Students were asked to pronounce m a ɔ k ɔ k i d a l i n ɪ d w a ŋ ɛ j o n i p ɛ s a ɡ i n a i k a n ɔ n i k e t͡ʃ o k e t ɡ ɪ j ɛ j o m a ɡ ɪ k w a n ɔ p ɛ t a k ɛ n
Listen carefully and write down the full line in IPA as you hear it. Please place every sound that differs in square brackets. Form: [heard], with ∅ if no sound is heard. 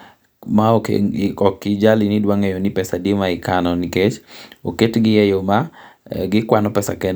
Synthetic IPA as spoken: m a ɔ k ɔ k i [d͡ʒ] a l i n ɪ d w a ŋ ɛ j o n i p ɛ s a [d] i [m] a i k a n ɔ n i k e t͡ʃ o k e t ɡ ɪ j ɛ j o m a ɡ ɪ k w a n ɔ p ɛ [s] a k ɛ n